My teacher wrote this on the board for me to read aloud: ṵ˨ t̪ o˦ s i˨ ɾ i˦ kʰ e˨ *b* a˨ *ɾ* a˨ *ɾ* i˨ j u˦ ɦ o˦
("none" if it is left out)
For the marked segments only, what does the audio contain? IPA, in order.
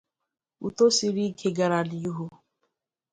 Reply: ɡ, ɾ, l

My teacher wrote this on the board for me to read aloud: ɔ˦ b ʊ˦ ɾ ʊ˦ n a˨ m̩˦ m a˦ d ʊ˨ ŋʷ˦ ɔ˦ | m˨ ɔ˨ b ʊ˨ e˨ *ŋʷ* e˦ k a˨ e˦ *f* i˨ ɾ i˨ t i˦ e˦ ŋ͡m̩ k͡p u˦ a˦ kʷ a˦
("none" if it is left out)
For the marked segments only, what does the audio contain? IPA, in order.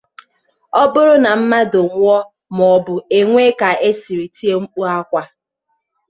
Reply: ŋʷ, s

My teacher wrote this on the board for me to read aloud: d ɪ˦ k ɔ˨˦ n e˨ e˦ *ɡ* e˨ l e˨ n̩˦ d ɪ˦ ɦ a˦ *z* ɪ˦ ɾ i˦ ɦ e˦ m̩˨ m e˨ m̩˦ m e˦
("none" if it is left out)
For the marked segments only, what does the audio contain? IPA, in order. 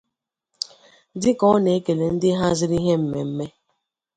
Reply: k, z

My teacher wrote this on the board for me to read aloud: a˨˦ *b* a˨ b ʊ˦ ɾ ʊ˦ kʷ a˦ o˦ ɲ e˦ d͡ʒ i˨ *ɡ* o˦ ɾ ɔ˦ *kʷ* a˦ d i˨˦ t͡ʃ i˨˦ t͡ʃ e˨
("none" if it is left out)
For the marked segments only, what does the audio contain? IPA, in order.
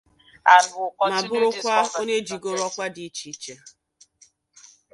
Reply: m, ɡ, kʷ

